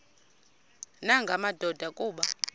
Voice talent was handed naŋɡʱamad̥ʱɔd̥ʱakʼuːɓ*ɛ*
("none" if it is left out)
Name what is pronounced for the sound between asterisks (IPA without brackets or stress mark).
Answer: a